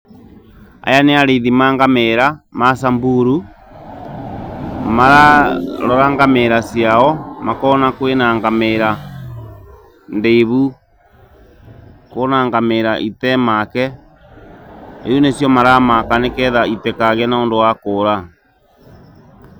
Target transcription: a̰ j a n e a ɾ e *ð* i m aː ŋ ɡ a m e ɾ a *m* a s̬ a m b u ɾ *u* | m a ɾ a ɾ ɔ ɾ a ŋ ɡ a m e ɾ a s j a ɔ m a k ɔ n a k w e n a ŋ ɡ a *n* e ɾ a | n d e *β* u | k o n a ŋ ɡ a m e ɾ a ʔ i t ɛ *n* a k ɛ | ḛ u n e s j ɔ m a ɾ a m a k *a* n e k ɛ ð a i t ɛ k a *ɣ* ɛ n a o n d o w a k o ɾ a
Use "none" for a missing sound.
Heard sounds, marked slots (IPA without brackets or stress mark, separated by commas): ð, m, u, m, β, m, a, ɣ